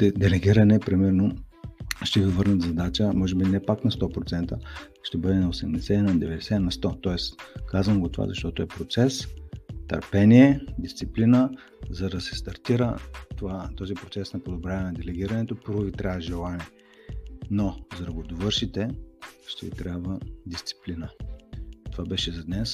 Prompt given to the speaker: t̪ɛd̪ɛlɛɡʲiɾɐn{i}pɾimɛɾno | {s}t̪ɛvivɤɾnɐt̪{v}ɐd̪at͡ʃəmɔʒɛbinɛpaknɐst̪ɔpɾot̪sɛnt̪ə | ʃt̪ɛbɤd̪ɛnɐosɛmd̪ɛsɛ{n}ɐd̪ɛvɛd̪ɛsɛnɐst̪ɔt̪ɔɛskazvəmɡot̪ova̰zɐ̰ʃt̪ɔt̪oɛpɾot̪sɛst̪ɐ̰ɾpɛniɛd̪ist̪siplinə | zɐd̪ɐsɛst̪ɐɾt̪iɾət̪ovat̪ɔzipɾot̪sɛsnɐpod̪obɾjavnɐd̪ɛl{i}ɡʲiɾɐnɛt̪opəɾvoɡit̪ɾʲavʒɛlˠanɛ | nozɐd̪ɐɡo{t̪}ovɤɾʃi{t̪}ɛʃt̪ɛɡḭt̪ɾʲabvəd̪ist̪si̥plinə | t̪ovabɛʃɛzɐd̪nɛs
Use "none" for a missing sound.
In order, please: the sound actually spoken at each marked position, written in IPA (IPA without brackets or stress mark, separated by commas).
ɛ, ʃ, z, n, ɛ, d̪, t̪